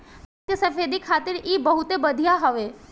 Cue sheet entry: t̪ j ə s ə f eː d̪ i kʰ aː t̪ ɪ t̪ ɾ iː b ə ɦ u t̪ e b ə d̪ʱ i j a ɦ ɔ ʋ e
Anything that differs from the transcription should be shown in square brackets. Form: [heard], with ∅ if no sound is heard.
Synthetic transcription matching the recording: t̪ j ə s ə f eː d̪ i kʰ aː t̪ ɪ [∅] ɾ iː b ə ɦ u t̪ e b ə d̪ʱ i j a ɦ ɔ ʋ e

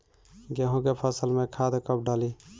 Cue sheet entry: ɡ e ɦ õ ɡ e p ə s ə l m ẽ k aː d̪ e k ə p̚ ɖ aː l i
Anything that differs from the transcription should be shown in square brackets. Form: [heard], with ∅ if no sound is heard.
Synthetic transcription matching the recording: ɡ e ɦ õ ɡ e [pʰ] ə s ə l m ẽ [kʰ] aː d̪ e k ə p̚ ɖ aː l i

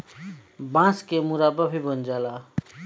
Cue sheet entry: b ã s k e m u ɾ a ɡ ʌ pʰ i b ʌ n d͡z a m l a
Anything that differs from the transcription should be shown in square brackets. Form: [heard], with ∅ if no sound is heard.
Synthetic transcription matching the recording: b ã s k e m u ɾ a [b] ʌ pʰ i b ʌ n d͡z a [∅] l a

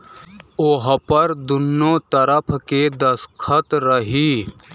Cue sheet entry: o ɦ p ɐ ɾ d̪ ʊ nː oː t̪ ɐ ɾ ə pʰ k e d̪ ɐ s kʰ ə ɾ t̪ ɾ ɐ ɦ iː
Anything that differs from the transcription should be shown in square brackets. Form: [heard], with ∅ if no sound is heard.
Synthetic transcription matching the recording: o ɦ p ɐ ɾ d̪ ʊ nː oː t̪ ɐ ɾ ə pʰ k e d̪ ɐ s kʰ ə [∅] t̪ ɾ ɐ ɦ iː

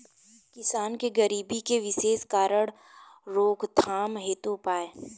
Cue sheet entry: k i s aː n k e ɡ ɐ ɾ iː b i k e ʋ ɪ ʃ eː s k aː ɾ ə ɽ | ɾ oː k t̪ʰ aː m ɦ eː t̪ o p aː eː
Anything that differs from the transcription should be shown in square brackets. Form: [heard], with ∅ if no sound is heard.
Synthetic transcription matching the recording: k [ɪ] s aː n k e ɡ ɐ ɾ iː b i k e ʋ ɪ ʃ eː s k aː ɾ ə ɽ | ɾ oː k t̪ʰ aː m ɦ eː t̪ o p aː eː

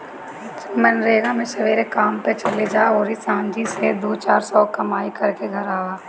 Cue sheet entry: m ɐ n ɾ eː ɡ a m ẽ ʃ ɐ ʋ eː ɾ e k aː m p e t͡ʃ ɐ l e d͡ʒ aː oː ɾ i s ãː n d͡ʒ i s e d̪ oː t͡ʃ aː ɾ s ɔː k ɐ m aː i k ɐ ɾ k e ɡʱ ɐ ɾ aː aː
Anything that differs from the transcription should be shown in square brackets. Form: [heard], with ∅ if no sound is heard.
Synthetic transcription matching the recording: m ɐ n ɾ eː ɡ a m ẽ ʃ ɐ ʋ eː ɾ e k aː m p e t͡ʃ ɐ l e d͡ʒ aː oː ɾ i s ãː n d͡ʒ i s e d̪ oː t͡ʃ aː ɾ s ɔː k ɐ m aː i k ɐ ɾ k e ɡʱ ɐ ɾ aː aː

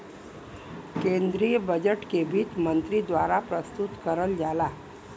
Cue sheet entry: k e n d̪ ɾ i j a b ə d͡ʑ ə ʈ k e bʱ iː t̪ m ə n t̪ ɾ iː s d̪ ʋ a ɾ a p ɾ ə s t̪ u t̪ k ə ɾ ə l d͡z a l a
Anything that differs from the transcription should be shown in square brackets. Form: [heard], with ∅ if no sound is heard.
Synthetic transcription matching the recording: k e n d̪ ɾ i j [ə] b ə d͡ʑ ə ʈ k e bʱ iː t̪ m ə n t̪ ɾ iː [∅] d̪ ʋ a ɾ a p ɾ ə s t̪ u t̪ k ə ɾ ə l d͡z a l a

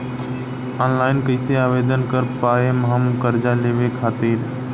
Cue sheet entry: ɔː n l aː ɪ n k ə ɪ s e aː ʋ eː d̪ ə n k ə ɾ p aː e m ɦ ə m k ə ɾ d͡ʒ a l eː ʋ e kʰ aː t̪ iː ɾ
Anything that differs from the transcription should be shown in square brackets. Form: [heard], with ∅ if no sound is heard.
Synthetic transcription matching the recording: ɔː n l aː ɪ n k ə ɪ s e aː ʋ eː d̪ ə n k ə ɾ p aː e m ɦ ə m k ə ɾ d͡ʒ a l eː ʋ e kʰ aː t̪ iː ɾ

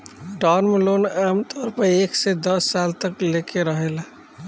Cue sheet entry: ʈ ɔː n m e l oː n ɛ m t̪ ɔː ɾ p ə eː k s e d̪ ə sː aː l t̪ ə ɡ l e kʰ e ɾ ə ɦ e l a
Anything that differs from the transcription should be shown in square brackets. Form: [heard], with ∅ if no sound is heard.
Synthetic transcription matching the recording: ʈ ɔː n m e l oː n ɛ m t̪ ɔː ɾ p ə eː k s e d̪ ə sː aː l t̪ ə [k] l e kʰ e ɾ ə ɦ e l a

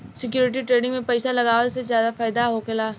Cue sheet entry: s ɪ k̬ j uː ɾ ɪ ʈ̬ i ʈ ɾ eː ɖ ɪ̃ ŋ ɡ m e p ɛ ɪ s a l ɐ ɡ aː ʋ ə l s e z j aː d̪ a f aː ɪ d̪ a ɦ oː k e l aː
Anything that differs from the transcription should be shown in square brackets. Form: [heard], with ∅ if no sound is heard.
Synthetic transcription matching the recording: s ɪ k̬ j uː ɾ ɪ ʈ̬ i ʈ ɾ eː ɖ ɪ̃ ŋ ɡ m [ẽ] p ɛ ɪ s a l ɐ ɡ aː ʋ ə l s e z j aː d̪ a f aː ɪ d̪ a ɦ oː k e l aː

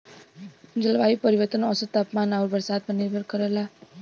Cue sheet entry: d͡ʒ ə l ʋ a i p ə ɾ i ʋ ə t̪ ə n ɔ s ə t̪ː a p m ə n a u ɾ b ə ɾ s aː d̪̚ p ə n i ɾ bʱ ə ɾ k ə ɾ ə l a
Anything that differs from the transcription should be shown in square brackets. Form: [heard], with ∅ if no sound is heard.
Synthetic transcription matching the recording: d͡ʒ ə l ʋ a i p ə ɾ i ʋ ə t̪ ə n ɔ s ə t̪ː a p m [a] n a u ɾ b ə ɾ s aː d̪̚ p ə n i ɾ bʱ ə ɾ k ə ɾ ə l a

